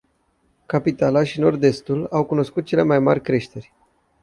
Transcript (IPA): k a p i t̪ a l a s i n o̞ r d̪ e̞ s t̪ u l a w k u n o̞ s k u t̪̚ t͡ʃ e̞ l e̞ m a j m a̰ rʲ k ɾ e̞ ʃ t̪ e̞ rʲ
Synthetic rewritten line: k a p i t̪ a l a ʃ i n o̞ r d̪ e̞ s t̪ u l a w k u n o̞ s k u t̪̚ t͡ʃ e̞ l e̞ m a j m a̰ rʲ k ɾ e̞ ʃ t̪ e̞ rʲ